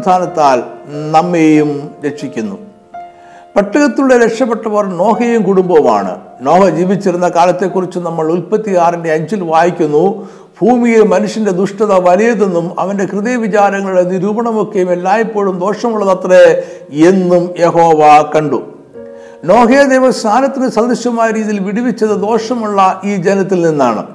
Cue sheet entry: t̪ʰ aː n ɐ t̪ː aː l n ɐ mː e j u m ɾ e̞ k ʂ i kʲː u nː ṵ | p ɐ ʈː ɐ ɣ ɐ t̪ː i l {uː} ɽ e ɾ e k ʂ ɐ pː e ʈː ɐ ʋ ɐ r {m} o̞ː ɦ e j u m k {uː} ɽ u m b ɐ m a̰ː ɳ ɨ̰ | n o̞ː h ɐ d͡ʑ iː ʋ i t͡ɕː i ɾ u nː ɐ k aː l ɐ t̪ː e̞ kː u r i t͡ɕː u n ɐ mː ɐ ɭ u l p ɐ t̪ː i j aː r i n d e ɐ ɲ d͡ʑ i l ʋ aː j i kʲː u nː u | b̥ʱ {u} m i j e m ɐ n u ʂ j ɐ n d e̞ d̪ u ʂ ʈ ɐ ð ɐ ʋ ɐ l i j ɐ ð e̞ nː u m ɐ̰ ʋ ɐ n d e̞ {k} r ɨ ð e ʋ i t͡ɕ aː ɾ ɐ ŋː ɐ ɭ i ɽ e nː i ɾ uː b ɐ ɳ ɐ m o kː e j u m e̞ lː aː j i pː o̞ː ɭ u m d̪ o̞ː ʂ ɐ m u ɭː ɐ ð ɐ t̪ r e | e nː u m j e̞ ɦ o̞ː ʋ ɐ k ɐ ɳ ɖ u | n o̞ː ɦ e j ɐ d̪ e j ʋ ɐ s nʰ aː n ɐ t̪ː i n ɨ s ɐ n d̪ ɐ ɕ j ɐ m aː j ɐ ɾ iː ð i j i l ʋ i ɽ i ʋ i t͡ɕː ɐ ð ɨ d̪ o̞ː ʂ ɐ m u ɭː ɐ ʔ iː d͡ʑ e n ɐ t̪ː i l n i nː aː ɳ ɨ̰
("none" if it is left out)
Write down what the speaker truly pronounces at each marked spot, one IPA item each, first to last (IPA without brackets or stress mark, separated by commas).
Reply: u, n, u, uː, k